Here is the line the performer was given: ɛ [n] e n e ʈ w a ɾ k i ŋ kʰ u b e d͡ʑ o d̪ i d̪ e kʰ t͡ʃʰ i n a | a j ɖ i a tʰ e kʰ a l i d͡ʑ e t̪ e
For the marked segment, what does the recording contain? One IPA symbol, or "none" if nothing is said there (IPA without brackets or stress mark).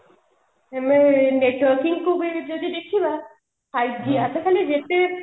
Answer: m